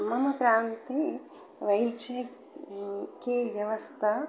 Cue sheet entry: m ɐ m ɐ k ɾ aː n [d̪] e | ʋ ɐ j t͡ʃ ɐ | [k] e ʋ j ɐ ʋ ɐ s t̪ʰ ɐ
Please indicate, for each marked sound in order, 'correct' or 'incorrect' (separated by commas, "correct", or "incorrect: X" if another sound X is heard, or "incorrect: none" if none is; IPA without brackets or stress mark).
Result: incorrect: t̪, correct